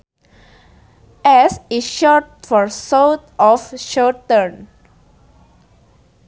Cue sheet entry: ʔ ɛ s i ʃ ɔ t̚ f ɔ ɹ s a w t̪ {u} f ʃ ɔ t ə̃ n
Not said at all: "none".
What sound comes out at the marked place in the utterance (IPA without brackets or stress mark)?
ɔ